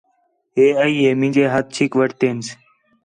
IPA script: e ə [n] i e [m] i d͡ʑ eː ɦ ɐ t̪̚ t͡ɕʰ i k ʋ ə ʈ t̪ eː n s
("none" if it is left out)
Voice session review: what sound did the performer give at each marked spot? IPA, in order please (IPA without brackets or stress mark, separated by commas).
none, m